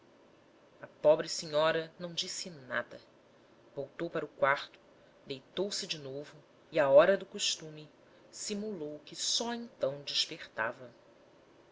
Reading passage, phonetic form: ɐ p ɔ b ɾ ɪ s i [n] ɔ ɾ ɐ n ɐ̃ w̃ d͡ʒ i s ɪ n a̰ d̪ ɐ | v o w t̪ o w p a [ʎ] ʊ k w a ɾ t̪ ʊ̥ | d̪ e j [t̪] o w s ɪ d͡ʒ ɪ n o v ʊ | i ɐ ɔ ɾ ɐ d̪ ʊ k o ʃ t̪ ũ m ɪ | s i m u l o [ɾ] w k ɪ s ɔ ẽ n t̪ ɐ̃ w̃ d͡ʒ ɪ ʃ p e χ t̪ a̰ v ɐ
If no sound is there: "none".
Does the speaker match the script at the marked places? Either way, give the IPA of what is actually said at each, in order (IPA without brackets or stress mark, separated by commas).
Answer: ɲ, ɾ, t̪, none